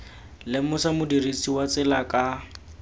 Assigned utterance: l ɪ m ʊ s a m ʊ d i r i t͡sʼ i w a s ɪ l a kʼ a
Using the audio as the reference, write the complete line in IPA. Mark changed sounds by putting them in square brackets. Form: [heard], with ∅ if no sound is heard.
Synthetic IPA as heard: l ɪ m ʊ s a m ʊ d i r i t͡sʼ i w a [t͡s] ɪ l a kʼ a